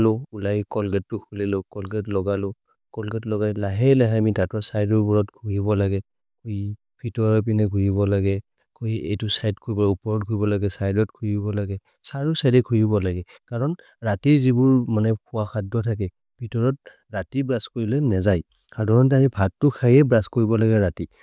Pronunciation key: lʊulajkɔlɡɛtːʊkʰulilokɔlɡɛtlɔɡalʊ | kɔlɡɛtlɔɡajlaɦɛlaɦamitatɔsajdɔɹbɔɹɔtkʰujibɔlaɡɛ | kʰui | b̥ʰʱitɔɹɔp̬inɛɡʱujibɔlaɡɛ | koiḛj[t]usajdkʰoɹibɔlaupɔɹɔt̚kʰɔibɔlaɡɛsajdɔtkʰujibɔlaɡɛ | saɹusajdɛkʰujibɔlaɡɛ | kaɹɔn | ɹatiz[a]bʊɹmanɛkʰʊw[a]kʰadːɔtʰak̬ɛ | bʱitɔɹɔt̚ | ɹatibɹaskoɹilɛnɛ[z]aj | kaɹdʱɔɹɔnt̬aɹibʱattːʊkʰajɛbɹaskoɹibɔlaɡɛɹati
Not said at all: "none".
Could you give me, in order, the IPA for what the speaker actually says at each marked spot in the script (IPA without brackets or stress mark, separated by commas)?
t, i, a, z